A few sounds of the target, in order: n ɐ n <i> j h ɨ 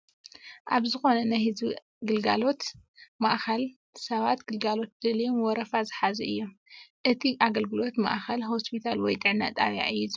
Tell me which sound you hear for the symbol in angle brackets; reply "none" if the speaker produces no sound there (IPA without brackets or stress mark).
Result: a